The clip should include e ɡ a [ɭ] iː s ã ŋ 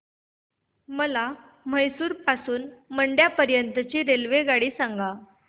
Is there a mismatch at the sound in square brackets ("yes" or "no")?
yes